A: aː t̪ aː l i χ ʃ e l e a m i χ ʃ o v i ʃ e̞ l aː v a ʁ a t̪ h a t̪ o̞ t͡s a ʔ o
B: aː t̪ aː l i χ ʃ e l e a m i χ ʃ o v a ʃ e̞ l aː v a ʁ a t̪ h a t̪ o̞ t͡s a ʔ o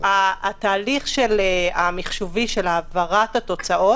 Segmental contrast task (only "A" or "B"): A